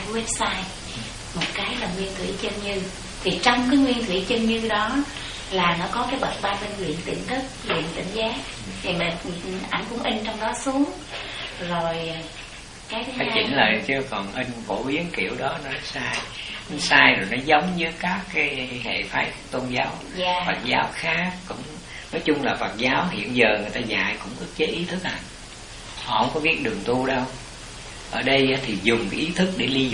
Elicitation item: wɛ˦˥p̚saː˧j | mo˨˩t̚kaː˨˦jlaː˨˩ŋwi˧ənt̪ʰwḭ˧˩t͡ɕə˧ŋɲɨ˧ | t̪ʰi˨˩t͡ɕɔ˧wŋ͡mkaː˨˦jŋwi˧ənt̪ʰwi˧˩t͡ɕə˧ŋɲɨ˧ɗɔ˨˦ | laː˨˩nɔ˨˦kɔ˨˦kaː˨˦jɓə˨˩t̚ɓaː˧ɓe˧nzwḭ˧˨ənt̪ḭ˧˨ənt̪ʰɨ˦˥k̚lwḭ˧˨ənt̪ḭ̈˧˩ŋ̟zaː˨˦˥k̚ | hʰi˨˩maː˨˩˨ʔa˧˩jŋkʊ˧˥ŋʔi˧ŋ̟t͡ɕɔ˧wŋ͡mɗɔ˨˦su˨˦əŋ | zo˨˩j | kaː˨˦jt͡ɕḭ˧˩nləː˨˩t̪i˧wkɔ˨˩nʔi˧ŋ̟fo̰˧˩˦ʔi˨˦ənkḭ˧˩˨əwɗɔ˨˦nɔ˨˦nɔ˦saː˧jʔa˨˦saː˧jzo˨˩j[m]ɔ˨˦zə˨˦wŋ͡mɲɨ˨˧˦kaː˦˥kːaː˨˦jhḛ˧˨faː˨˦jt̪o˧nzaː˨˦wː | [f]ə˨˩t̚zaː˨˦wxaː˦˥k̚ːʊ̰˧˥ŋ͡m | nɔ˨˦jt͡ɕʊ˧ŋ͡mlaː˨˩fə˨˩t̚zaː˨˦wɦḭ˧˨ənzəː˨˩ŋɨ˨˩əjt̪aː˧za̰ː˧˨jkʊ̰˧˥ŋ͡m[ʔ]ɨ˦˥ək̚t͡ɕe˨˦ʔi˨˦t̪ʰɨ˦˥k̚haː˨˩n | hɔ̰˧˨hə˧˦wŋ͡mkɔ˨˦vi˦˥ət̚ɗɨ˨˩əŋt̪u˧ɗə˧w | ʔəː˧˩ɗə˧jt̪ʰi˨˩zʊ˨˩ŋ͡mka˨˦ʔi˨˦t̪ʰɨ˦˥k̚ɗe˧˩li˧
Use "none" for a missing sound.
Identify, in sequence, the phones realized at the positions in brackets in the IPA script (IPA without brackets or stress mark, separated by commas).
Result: n, f, ʔ